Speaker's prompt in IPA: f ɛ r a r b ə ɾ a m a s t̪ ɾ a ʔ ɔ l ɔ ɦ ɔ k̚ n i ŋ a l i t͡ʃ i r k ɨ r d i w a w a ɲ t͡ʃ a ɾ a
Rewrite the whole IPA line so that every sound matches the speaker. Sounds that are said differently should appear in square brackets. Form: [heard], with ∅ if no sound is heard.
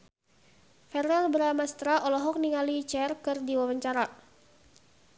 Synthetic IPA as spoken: f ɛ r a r b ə ɾ a m a s t̪ ɾ a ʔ ɔ l ɔ ɦ ɔ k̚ n i ŋ a l i t͡ʃ [ɛ] r k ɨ r d i w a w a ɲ t͡ʃ a ɾ a